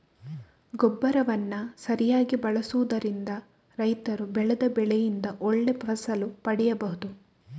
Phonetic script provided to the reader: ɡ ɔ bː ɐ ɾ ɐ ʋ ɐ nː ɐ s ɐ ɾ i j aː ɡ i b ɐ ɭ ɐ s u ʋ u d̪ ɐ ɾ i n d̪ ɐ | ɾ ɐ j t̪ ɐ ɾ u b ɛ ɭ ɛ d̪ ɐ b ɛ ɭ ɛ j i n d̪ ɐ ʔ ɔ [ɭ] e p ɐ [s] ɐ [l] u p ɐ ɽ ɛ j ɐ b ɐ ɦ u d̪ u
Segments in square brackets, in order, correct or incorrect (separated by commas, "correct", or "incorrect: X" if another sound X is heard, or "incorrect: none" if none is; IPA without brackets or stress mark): incorrect: ɭː, correct, correct